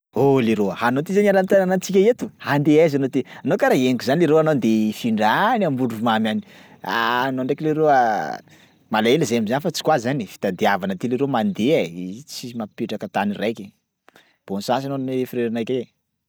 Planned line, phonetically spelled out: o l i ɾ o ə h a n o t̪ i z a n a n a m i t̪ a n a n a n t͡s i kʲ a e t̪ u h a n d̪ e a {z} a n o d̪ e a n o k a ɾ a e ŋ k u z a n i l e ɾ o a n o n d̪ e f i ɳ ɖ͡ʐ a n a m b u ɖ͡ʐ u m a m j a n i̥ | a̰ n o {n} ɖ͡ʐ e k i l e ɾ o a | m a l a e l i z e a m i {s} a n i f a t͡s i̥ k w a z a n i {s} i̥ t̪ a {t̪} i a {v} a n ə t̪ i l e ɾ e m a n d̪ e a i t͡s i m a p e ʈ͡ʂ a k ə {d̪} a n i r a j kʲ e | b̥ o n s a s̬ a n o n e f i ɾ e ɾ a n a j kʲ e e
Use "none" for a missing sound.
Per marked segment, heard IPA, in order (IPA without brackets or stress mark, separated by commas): z, ɳ, z, f, d̪, v, t̪